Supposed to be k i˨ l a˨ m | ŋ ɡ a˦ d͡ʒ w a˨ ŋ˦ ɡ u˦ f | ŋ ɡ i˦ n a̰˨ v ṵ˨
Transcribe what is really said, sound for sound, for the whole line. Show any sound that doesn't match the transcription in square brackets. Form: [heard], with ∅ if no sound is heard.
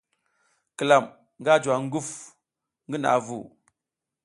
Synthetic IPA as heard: k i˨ l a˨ m | ŋ ɡ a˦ d͡ʒ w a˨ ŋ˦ ɡ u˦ f | ŋ ɡ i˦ n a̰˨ v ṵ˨